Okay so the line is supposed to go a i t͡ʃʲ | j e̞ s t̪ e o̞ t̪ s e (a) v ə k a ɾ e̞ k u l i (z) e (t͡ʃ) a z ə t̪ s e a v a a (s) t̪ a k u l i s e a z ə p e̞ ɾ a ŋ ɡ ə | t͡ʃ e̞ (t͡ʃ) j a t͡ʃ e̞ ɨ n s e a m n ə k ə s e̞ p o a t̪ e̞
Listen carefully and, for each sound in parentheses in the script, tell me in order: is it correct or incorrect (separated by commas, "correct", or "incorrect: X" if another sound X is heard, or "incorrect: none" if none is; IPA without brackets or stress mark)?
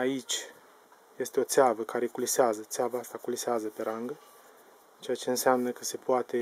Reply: correct, incorrect: s, incorrect: none, correct, incorrect: none